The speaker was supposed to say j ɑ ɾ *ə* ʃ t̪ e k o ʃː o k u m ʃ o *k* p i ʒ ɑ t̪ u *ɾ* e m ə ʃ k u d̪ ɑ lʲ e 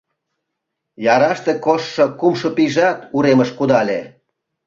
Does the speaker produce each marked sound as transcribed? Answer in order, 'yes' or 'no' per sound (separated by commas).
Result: no, no, yes